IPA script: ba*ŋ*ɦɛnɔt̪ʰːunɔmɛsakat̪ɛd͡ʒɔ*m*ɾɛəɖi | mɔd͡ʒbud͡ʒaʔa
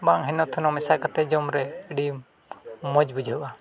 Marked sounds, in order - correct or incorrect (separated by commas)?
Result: correct, correct